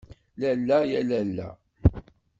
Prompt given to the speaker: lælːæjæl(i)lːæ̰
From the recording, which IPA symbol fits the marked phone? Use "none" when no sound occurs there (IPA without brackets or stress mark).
æ